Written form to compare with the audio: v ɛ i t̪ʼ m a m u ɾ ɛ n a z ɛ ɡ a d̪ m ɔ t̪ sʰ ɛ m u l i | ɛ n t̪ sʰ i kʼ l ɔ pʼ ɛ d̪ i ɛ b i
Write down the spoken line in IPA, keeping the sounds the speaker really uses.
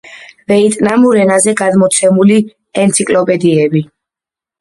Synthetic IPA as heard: v ɛ i t̪ʼ n a m u ɾ ɛ n a z ɛ ɡ a d̪ m ɔ t̪ sʰ ɛ m u l i | ɛ n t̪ sʰ i kʼ l ɔ pʼ ɛ d̪ i ɛ b i